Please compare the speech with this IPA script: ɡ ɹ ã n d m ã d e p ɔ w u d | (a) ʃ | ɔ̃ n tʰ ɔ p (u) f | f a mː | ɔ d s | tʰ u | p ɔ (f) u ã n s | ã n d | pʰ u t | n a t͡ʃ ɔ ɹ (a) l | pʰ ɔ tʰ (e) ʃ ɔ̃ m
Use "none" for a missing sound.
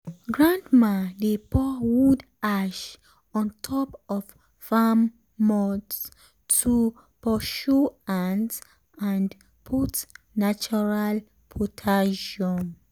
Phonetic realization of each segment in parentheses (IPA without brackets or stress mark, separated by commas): a, ɔ, ʃ, a, a